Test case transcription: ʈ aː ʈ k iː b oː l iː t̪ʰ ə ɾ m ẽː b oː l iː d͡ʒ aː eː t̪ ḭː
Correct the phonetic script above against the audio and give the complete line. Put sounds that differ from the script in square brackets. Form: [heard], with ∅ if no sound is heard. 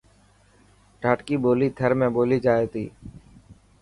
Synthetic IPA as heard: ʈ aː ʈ k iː b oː l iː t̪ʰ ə ɾ m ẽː b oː l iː d͡ʒ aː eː t̪ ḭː